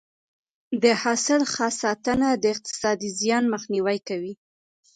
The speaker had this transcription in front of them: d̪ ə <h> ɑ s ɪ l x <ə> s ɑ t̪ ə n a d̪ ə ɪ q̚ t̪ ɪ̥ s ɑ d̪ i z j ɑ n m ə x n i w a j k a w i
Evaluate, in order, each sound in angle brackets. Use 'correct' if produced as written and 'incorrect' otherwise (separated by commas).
correct, incorrect